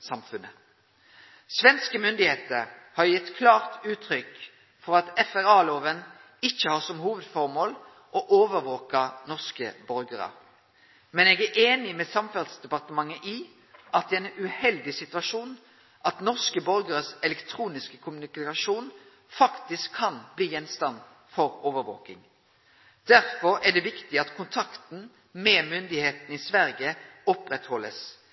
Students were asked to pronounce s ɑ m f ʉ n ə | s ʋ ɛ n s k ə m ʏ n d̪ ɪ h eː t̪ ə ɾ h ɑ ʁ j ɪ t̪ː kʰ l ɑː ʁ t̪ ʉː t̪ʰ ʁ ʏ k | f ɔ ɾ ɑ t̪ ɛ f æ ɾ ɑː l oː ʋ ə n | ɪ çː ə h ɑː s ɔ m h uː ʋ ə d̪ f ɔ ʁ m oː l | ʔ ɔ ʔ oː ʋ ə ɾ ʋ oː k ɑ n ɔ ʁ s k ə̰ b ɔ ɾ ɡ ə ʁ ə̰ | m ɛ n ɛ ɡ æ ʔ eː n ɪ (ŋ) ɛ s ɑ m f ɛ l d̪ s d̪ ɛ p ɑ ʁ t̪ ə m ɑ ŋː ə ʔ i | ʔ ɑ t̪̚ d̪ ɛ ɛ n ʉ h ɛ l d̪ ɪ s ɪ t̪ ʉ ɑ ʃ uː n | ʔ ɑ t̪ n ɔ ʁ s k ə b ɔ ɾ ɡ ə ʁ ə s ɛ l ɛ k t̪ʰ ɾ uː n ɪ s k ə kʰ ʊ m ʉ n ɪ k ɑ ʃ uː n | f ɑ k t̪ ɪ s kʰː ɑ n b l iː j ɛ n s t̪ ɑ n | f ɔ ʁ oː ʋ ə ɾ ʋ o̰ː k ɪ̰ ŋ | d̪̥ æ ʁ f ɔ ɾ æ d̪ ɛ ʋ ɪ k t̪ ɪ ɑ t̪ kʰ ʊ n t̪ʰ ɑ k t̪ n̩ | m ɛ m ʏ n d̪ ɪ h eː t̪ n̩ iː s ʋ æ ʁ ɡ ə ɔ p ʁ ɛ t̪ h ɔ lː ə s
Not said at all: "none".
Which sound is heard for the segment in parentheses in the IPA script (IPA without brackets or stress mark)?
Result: m